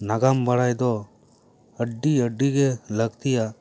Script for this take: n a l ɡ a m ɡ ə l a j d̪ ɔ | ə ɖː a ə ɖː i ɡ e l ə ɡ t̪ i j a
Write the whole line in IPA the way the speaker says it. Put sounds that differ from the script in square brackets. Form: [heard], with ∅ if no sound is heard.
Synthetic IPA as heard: n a [∅] ɡ a m [b] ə [ɽ] a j d̪ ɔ | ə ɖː [i] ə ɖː i ɡ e l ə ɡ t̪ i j a